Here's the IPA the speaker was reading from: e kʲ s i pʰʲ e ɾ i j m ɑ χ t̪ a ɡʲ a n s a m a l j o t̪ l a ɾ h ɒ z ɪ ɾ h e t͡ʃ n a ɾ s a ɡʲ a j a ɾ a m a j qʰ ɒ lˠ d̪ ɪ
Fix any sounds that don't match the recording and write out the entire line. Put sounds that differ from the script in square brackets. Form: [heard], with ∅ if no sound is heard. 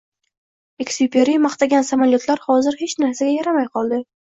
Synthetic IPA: e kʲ s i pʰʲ e ɾ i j m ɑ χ t̪ a ɡʲ a n s a m a l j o t̪ l a ɾ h ɒ z ɪ ɾ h e t͡ʃ n a ɾ s a ɡʲ a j a ɾ a m a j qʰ ɒ lˠ d̪ ɪ